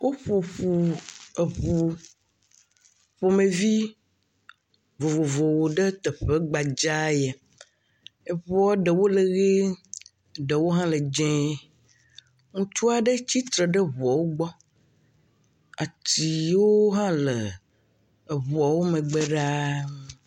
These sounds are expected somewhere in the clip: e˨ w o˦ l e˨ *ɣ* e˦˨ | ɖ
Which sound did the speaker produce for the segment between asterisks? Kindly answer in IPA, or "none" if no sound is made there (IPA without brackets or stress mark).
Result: ɣ